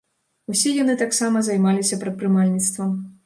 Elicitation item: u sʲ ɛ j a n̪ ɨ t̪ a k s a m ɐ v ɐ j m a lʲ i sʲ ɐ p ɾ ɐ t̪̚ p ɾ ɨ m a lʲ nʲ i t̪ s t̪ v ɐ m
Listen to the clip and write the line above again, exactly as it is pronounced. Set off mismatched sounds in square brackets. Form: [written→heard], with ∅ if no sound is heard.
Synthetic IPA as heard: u sʲ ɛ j a n̪ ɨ t̪ a k s a m ɐ [v→z] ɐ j m a lʲ i sʲ ɐ p ɾ ɐ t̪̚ p ɾ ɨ m a lʲ nʲ i t̪ s t̪ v ɐ m